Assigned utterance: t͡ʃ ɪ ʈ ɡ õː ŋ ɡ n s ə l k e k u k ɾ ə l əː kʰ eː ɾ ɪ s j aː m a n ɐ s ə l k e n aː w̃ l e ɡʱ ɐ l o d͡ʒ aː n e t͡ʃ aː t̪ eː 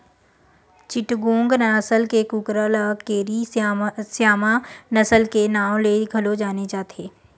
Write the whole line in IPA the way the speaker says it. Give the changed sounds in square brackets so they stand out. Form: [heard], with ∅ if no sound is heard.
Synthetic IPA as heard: t͡ʃ ɪ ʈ ɡ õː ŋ ɡ n s ə l k e k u k ɾ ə l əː [k] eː ɾ [i] s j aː m a n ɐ s ə l k e n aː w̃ l e ɡʱ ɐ l o d͡ʒ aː n e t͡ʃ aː t̪ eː